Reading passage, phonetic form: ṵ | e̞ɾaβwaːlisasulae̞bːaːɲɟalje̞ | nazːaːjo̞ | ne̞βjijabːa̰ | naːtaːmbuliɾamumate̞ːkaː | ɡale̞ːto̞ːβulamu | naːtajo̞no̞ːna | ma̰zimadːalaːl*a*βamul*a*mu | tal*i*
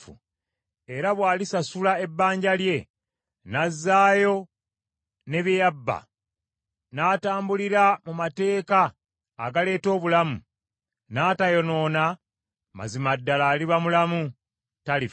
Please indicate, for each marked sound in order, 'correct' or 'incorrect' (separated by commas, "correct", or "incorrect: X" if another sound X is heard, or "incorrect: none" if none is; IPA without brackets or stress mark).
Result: incorrect: i, correct, correct